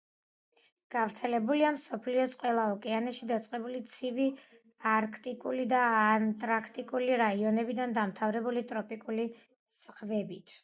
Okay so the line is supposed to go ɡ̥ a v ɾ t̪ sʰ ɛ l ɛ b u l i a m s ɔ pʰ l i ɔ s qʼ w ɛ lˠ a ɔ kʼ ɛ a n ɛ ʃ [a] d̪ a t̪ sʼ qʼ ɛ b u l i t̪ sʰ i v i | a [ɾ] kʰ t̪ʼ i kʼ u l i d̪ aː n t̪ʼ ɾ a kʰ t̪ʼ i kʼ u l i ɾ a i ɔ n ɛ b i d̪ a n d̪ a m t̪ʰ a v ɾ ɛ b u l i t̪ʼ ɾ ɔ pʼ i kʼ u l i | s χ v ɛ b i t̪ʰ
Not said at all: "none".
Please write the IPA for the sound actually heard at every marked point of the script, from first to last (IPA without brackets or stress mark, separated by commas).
i, ɾ